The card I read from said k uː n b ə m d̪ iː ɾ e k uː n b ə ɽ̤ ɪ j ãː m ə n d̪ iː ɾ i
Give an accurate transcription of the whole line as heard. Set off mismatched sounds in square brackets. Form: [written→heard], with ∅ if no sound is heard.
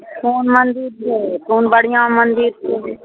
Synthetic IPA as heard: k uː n [b→m] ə [m→n] d̪ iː ɾ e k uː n b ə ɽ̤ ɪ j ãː m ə n d̪ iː ɾ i